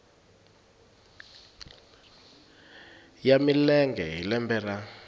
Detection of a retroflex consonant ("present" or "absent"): absent